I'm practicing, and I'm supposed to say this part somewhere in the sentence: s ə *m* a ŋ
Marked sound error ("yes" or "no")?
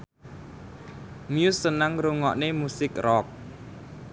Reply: yes